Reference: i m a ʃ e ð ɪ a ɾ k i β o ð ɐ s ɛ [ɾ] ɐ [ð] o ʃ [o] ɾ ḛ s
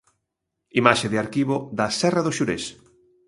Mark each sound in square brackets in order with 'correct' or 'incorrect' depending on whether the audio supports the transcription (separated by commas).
incorrect, correct, incorrect